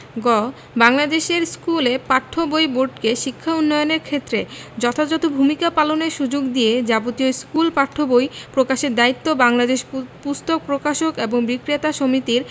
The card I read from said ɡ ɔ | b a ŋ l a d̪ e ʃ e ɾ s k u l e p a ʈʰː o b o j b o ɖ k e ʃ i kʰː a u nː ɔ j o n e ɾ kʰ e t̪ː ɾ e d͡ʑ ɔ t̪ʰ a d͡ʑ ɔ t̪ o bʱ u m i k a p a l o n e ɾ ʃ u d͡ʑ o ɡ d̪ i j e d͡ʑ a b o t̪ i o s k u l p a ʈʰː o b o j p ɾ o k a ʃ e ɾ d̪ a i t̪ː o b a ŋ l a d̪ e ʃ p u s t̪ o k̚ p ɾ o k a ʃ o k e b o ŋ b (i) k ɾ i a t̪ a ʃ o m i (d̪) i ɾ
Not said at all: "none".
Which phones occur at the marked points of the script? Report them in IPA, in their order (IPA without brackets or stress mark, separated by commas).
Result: i, t̪